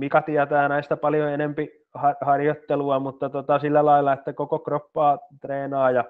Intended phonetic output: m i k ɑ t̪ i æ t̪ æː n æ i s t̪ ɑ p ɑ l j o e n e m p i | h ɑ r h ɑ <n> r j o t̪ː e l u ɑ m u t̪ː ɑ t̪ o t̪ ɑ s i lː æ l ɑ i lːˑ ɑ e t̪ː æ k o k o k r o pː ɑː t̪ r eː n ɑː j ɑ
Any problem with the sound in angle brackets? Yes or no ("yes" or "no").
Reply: yes